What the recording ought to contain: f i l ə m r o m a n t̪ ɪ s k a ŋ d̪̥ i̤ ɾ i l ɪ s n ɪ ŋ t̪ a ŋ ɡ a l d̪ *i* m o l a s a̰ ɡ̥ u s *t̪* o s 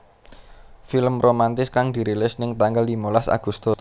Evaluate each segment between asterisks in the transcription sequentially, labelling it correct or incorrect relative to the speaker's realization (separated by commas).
correct, correct